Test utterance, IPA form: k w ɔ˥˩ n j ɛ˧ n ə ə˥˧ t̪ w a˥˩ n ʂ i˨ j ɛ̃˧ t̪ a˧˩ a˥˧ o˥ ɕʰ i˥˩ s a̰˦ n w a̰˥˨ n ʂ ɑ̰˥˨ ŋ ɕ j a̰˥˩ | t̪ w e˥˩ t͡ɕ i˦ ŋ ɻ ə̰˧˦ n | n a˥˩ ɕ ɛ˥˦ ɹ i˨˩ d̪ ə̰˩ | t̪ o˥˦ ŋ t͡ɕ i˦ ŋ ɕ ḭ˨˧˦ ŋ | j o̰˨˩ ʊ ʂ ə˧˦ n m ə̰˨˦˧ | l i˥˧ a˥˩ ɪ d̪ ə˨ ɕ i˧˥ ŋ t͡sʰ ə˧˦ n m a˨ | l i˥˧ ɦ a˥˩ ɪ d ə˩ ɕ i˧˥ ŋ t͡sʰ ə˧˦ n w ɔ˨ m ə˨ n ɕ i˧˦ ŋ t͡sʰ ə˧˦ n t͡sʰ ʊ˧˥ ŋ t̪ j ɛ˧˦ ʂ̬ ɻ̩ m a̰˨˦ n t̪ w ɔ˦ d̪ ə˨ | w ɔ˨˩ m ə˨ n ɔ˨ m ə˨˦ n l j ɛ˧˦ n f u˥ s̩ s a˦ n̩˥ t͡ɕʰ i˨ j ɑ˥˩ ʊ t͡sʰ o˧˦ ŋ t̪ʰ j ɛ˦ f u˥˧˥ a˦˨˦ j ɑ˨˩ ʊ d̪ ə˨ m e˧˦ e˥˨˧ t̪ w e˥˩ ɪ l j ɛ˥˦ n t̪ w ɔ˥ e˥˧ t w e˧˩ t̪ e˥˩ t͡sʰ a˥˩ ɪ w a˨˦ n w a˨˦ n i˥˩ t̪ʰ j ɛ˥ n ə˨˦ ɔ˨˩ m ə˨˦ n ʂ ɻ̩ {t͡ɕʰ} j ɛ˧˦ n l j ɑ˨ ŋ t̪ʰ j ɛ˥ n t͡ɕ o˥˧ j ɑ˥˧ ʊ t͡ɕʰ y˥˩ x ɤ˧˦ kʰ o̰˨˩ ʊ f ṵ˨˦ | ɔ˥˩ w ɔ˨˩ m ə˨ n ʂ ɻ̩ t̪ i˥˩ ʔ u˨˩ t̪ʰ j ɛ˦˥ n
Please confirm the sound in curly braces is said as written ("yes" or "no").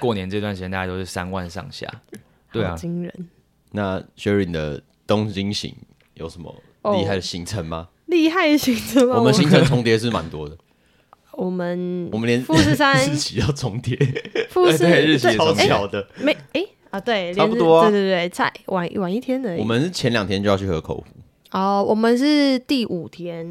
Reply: yes